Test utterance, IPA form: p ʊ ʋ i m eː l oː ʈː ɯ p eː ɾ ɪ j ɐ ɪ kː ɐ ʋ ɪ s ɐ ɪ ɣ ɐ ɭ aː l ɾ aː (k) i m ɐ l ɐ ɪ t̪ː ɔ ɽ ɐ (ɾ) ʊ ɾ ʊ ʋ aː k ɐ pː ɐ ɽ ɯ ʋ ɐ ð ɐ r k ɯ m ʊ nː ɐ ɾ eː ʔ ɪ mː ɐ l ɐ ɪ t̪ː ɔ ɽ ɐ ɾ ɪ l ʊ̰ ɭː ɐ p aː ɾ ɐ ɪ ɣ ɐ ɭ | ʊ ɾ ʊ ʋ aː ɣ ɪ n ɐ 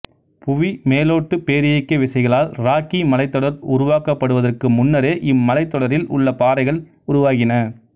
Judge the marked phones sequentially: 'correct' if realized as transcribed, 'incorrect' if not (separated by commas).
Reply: correct, correct